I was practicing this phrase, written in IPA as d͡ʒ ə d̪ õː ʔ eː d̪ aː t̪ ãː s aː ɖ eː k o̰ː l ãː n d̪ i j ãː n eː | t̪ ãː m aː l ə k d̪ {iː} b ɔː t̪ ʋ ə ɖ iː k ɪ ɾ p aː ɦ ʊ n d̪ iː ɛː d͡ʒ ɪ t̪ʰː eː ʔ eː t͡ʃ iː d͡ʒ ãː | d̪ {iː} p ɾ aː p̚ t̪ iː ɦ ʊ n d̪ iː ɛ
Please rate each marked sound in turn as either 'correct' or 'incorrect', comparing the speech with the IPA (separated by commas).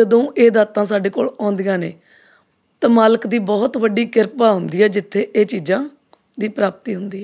correct, correct